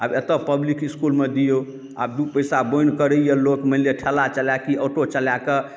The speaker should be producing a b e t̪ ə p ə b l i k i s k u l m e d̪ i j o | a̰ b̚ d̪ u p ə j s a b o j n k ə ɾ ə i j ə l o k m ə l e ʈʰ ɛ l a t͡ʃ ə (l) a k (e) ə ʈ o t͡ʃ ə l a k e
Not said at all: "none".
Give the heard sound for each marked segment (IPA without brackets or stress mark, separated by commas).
l, i